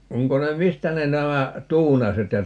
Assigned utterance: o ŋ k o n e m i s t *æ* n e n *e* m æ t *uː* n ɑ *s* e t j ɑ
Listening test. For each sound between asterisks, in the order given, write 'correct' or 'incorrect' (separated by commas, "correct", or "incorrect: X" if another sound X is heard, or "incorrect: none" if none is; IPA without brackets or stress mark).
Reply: correct, incorrect: æ, correct, correct